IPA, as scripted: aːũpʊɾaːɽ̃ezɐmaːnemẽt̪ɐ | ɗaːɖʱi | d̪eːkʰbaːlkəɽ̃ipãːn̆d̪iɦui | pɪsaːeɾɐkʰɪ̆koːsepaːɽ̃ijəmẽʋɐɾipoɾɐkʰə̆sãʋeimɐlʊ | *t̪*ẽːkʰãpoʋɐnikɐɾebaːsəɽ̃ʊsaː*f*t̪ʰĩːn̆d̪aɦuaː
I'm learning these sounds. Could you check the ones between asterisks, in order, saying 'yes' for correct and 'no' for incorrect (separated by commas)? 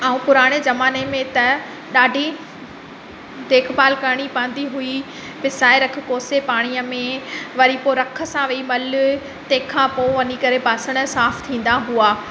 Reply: yes, yes